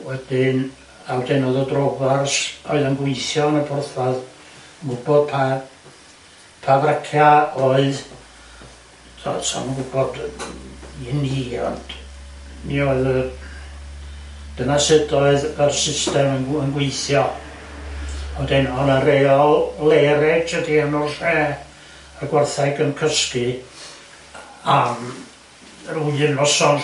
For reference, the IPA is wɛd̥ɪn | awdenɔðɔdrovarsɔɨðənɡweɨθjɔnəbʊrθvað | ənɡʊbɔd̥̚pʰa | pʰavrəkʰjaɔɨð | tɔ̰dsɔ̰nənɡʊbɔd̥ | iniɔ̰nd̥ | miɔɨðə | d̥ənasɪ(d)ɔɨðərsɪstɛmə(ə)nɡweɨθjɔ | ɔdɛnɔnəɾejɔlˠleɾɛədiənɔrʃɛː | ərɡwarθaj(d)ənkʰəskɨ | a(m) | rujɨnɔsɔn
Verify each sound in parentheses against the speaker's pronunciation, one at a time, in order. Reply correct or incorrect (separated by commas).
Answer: correct, correct, incorrect, correct